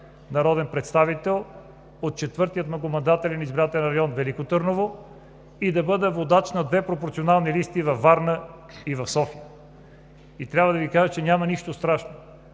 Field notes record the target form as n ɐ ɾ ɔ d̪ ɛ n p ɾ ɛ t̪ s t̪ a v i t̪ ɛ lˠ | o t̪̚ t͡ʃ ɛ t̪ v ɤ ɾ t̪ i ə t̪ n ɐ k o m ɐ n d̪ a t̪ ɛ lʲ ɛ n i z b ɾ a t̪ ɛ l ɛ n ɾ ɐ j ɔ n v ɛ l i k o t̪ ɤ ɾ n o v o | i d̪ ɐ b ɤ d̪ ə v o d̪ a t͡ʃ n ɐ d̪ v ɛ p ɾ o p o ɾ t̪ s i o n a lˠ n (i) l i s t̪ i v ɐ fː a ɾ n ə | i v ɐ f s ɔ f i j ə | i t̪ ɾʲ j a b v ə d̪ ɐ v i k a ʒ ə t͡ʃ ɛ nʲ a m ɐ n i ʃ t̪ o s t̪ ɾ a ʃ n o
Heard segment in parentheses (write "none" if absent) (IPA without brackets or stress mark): i